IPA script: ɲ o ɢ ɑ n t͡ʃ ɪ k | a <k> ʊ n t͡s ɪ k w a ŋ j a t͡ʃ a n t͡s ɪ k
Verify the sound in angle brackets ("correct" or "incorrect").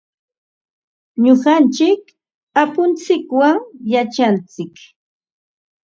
incorrect